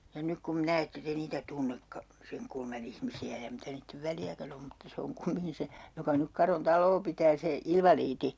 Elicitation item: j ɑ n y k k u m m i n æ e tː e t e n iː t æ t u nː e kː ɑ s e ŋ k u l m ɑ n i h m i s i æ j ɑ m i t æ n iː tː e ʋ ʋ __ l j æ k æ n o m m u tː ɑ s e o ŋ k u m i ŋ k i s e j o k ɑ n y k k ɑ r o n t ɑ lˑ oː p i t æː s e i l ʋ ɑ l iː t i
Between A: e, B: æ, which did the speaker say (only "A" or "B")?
B